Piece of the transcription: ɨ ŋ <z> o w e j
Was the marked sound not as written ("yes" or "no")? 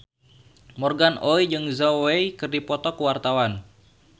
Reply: no